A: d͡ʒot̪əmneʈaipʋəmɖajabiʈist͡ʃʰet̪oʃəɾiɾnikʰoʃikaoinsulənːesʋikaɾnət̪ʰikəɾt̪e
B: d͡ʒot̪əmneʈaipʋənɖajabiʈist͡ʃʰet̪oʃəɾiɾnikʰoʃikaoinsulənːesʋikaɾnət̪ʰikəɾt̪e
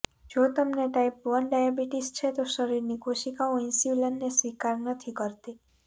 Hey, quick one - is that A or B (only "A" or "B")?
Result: B